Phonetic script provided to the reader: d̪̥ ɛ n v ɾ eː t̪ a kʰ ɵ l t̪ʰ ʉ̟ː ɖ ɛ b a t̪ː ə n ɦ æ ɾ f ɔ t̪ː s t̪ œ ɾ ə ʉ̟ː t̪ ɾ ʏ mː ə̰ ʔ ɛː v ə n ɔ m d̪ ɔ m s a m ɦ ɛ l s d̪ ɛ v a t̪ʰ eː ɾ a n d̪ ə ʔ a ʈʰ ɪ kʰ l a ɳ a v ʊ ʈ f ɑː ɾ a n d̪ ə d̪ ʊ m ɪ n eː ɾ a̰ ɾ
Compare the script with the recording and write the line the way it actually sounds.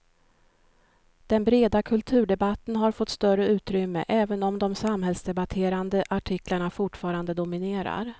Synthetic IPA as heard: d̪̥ ɛ n b ɾ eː d̪ a kʰ ɵ l t̪ʰ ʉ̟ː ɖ ɛ b a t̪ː ə n ɦ a ɾ f ɔ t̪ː s t̪ œ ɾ ə ʉ̟ː t̪ ɾ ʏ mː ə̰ ʔ ɛː v ə n ɔ m d̪ ɔ m s a m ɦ ɛ l s d̪ ɛ b a t̪ʰ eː ɾ a n d̪ ə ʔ a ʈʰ ɪ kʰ l a ɳ a f ʊ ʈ f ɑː ɾ a n d̪ ə d̪ ʊ m ɪ n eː ɾ a̰ ɾ